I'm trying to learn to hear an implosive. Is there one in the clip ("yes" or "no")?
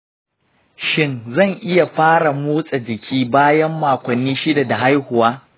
no